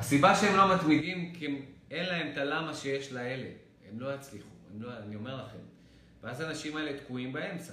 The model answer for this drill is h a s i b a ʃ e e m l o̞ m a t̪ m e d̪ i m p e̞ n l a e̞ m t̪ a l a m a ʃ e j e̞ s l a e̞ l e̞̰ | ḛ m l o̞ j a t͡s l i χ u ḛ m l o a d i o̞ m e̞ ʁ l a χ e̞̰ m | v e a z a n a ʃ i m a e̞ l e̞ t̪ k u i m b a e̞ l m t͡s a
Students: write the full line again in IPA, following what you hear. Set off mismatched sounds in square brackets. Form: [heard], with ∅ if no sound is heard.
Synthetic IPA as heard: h a s i b a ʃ e e m l o̞ m a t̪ m [i] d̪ i m [k] e̞ n l a e̞ m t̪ a l a m a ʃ e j e̞ [ʃ] l a e̞ l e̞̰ | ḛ m l o̞ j a t͡s l i χ u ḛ m l o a [n] i o̞ m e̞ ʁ l a χ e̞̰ m | v e a z a n a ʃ i m a e̞ l e̞ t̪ k u i m b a e̞ [∅] m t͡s a